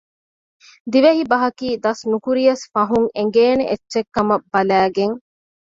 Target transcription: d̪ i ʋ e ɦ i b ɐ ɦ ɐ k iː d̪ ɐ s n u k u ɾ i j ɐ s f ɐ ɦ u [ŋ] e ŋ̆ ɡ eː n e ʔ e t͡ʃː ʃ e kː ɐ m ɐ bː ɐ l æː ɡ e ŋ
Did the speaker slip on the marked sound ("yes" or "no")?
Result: no